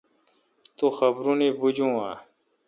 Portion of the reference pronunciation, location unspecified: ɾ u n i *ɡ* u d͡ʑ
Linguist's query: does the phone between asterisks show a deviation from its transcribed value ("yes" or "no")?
yes